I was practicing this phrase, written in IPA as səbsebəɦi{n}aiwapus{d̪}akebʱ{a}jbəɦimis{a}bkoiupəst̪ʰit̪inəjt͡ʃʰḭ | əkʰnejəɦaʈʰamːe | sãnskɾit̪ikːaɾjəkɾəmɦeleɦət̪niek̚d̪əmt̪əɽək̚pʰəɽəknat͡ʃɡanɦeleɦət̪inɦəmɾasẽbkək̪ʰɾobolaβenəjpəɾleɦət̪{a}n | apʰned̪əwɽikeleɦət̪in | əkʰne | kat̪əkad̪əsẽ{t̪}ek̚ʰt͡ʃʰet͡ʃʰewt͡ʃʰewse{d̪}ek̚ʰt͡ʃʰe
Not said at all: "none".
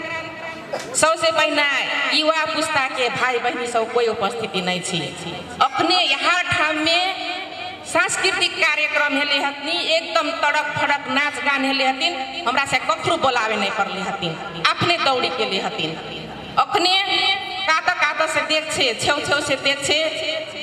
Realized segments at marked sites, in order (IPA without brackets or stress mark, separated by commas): n, t̪, a, ə, i, d̪, d̪